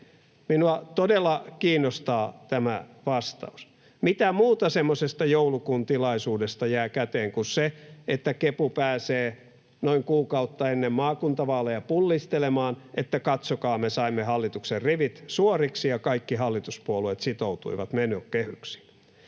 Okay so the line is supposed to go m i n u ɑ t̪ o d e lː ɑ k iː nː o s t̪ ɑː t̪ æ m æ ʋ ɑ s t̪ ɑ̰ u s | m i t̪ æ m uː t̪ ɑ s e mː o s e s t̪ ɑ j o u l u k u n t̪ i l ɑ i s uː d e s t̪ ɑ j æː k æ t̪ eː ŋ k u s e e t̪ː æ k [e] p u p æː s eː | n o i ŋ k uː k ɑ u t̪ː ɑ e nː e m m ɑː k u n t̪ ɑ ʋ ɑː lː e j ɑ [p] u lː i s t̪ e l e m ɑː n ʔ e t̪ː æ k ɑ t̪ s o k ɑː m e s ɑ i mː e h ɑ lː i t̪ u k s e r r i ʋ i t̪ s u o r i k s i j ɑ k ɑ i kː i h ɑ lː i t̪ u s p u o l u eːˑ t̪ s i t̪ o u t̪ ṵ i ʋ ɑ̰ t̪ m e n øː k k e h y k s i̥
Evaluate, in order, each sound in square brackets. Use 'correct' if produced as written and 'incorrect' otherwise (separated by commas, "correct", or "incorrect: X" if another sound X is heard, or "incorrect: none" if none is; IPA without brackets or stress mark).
correct, correct